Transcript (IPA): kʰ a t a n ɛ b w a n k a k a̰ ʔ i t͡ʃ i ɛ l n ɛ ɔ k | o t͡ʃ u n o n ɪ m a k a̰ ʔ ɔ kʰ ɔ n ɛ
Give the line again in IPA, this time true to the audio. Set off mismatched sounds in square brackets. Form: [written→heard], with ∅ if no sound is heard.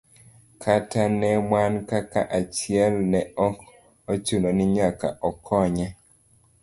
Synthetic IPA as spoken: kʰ a t a n ɛ [b→m] w a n k a k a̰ ʔ [i→a] t͡ʃ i ɛ l n ɛ ɔ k | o t͡ʃ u n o n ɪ [m→ɲ] a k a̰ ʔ ɔ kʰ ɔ [n→ɲ] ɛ